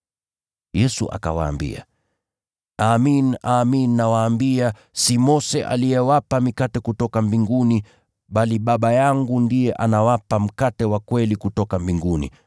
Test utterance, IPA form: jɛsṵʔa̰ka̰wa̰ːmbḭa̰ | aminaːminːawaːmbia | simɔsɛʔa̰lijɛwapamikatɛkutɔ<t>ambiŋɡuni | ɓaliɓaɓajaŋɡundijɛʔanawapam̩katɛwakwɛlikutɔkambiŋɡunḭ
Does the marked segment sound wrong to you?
yes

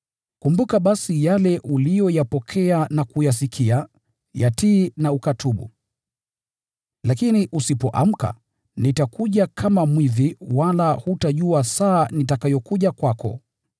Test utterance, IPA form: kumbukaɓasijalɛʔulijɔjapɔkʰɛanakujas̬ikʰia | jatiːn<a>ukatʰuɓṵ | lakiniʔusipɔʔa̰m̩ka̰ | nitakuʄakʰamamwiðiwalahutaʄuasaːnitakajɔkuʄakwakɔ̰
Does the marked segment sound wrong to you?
no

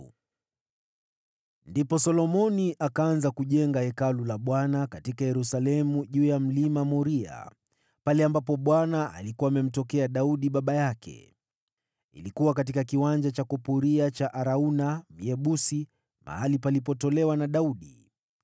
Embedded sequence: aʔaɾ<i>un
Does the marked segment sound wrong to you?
yes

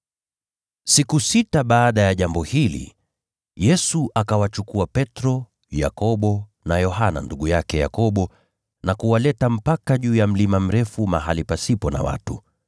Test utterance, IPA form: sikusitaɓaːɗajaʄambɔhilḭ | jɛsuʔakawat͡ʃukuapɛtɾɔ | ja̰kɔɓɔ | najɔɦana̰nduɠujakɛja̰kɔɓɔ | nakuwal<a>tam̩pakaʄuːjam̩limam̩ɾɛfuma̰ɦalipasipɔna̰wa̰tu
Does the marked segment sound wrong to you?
yes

